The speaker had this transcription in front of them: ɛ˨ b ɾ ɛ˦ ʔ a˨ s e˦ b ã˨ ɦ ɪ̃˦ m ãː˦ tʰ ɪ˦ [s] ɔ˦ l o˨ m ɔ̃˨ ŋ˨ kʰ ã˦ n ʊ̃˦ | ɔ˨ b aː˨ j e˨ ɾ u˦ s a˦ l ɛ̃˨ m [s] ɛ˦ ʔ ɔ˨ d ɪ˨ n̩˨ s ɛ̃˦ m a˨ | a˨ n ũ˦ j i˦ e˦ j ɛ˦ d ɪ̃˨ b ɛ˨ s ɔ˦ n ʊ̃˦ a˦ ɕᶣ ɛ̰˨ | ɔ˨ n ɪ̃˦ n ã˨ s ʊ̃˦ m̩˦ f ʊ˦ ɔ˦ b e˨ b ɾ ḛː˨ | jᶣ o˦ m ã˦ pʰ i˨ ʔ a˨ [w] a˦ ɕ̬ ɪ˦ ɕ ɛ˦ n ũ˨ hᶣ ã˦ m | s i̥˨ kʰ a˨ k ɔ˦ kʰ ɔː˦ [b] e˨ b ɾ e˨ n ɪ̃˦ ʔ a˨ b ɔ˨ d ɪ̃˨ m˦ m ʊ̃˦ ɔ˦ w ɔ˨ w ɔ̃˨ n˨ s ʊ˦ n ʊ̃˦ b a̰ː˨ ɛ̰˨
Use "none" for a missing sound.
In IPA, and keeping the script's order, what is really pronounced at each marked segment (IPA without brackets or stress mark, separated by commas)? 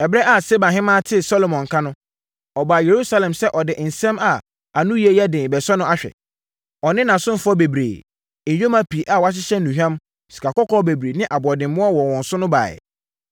s, s, w, b